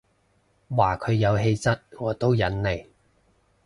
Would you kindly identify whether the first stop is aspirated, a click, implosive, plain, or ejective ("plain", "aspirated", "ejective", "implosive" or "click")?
aspirated